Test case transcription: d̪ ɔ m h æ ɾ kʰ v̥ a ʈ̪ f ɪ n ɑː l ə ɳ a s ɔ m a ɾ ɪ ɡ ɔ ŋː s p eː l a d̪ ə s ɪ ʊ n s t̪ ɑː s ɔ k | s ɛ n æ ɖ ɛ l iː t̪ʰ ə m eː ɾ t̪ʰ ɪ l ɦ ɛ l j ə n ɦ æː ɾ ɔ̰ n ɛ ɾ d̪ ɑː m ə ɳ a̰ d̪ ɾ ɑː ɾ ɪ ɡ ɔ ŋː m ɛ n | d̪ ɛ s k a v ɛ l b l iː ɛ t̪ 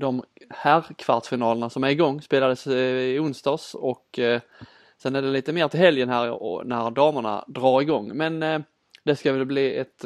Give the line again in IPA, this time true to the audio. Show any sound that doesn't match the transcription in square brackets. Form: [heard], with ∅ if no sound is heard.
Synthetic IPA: d̪ ɔ m h æ ɾ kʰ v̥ a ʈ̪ f ɪ n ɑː l ə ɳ a s ɔ m [æ] ɾ ɪ ɡ ɔ ŋː s p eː l a d̪ ə s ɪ ʊ n s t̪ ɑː s ɔ k | s ɛ n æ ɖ ɛ l iː [t̪] ə m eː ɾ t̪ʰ ɪ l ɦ ɛ l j ə n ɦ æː ɾ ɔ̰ n [æ] ɾ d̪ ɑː m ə ɳ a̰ d̪ ɾ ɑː ɾ ɪ ɡ ɔ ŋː m ɛ n | d̪ ɛ s k a v ɛ l b l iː ɛ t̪